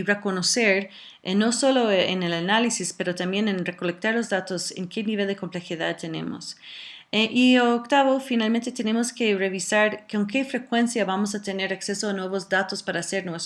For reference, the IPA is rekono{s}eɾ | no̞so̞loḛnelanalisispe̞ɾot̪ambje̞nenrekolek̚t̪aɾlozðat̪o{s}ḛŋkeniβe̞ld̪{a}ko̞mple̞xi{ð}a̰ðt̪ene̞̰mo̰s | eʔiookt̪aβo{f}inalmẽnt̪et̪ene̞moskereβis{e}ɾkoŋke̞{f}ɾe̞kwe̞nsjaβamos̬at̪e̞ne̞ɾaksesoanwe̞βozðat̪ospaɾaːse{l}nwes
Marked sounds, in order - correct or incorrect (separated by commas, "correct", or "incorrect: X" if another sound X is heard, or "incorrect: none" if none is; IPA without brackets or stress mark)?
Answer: correct, correct, incorrect: e, correct, correct, incorrect: a, correct, incorrect: ɾ